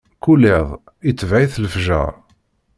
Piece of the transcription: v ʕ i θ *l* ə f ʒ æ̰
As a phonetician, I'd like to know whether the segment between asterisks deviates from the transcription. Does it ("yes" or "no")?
no